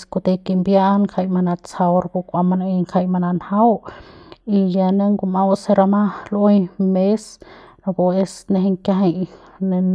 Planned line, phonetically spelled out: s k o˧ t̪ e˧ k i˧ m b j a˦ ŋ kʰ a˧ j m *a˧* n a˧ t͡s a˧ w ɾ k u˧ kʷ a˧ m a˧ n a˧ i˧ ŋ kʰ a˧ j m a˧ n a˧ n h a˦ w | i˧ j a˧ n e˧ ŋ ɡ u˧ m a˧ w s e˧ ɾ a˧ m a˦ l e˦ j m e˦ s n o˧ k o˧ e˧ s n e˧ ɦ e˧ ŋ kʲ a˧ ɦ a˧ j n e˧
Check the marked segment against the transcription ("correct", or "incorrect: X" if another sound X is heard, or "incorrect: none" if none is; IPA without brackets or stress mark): correct